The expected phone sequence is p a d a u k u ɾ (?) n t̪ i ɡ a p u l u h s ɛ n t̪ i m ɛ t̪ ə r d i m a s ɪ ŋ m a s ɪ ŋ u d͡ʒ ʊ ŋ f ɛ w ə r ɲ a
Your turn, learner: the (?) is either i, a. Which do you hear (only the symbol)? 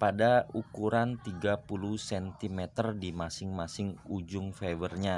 a